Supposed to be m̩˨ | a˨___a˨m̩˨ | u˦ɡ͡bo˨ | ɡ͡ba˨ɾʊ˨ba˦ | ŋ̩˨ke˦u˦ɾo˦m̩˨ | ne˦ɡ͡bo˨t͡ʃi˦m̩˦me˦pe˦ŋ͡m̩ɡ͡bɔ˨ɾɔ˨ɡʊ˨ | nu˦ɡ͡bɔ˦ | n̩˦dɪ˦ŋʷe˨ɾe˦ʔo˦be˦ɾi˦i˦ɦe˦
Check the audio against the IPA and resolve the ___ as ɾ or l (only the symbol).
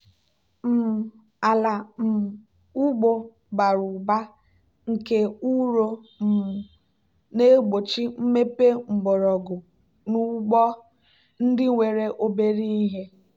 l